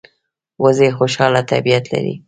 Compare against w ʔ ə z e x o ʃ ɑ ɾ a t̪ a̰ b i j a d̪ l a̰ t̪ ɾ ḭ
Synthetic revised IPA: w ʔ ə z e x o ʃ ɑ l a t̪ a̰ b i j a t̪ l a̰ ɾ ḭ